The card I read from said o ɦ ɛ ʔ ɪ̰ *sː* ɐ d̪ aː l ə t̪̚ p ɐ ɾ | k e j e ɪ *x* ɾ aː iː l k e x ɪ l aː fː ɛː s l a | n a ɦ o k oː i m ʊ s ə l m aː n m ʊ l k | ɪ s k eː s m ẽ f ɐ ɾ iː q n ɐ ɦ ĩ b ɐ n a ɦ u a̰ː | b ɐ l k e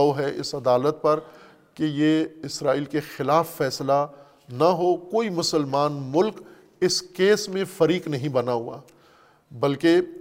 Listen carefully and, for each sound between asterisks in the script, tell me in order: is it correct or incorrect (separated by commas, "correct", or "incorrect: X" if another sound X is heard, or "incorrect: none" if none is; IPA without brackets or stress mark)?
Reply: incorrect: s, incorrect: s